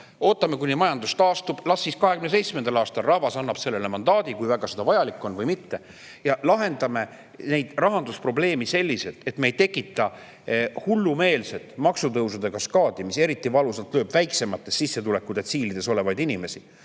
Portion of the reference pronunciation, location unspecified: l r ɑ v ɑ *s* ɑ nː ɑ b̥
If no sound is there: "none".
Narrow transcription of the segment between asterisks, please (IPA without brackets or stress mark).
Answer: s